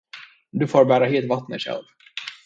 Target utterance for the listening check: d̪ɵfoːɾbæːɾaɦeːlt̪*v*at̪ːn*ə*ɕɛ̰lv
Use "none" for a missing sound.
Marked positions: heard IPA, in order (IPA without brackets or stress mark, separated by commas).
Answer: v, ə